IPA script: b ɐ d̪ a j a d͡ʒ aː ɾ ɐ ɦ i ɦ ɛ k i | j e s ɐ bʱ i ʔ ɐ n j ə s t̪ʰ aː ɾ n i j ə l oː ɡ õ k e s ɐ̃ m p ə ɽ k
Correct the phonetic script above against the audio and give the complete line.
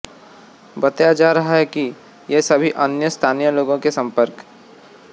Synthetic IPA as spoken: b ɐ t̪ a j a d͡ʒ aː ɾ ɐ ɦ a ɦ ɛ k i | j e s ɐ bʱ i ʔ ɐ n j ə s t̪ʰ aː n i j ə l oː ɡ õ k e s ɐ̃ m p ə ɾ k